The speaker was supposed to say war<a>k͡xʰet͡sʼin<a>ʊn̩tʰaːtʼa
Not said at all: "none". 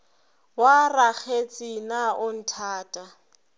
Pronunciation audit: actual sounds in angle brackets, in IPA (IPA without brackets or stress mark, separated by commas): a, a